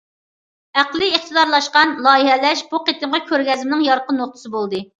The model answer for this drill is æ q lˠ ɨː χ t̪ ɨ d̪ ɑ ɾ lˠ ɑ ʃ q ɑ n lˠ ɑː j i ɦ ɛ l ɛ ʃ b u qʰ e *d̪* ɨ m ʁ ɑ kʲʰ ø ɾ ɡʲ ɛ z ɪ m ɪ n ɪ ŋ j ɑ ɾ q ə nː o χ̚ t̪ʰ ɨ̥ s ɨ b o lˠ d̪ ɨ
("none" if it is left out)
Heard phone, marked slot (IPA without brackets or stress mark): t̪